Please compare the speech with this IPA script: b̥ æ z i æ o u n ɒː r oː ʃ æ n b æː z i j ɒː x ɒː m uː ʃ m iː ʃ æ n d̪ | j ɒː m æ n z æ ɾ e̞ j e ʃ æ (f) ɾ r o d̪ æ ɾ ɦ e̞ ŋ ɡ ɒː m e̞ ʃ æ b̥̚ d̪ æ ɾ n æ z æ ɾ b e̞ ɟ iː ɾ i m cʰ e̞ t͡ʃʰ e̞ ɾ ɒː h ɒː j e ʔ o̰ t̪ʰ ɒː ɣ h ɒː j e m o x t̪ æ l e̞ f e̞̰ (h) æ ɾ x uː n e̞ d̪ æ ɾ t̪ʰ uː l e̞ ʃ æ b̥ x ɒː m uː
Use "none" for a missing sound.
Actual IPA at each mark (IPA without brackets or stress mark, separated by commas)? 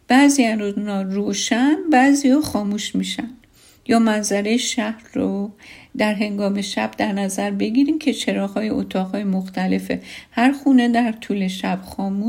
h, h